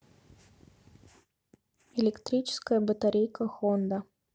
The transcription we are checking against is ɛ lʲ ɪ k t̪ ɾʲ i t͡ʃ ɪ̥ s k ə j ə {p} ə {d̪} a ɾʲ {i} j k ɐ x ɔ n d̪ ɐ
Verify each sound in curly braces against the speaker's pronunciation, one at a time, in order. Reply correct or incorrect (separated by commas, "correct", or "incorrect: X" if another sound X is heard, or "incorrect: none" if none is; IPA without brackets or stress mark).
incorrect: b, incorrect: t̪, incorrect: e